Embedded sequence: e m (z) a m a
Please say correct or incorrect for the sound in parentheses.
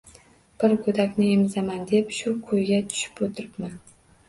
correct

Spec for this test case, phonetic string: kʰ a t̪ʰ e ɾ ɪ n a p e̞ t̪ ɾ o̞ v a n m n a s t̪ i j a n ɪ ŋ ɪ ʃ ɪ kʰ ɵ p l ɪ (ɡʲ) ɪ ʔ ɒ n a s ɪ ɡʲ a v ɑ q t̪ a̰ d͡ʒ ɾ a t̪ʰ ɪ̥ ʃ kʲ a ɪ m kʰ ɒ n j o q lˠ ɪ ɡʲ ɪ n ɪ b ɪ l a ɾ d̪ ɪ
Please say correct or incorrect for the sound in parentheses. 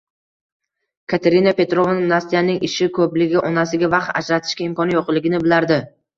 correct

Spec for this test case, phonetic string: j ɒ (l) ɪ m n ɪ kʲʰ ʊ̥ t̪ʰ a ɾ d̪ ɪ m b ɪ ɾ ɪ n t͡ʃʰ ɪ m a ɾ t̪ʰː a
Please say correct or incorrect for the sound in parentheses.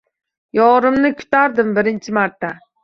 incorrect: ɾ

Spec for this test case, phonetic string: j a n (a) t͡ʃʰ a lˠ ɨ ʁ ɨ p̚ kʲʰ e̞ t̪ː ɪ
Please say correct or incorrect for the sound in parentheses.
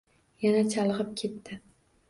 correct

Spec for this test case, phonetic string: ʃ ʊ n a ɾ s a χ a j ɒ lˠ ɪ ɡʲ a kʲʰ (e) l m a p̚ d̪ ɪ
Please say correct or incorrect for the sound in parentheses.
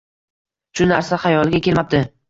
correct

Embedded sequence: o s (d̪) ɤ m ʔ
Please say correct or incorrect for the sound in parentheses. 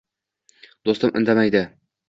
incorrect: t̪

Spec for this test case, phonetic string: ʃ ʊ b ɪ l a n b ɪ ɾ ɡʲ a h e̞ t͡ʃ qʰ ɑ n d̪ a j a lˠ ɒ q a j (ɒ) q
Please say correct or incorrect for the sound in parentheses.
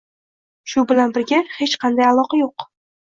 incorrect: o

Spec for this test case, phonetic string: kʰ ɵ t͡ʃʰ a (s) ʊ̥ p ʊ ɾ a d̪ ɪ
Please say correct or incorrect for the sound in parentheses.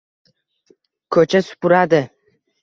correct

